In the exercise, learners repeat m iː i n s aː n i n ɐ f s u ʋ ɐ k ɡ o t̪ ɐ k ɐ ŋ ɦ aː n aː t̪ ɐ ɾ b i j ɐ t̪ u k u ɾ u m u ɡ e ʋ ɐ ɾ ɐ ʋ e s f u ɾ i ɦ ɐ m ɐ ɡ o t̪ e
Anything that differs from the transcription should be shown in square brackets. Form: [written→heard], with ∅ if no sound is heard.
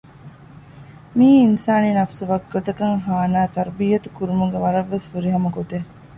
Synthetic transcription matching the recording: m iː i n s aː n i n ɐ f s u ʋ ɐ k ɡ o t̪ ɐ k ɐ ŋ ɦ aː n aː t̪ ɐ ɾ b i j ɐ t̪ u k u ɾ u m u ɡ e ʋ ɐ ɾ ɐ [ʋ→ʋː] e s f u ɾ i ɦ ɐ m ɐ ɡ o t̪ e